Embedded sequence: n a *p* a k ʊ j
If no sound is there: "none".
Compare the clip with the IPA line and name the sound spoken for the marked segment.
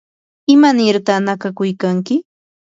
k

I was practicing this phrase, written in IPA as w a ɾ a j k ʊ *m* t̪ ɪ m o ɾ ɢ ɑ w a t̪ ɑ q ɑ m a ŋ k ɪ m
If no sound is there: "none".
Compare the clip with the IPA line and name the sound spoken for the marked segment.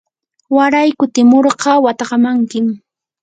none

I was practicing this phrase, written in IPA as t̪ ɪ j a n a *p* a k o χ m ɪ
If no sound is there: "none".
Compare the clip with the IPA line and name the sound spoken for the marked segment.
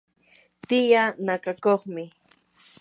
k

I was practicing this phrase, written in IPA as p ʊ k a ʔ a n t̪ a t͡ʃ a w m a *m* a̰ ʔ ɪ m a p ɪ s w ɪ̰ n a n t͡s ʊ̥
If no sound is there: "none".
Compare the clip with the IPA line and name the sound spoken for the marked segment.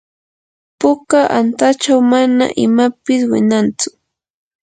n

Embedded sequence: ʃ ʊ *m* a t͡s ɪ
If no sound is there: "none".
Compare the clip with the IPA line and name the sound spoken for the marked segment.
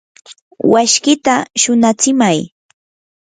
n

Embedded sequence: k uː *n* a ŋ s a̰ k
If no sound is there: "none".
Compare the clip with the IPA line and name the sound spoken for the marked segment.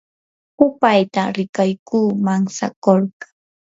m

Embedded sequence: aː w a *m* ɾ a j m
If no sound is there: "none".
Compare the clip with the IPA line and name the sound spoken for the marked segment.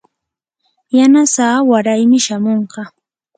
none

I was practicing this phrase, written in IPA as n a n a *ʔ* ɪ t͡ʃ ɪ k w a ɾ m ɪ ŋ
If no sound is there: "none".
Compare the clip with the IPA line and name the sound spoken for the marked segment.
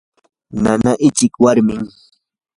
ʔ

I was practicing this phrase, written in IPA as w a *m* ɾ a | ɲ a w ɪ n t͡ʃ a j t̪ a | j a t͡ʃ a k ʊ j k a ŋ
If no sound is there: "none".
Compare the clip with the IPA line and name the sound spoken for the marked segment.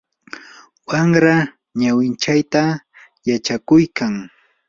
ŋ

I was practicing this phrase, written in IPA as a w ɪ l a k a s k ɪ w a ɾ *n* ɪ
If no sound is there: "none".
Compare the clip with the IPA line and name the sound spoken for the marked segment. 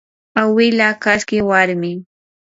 m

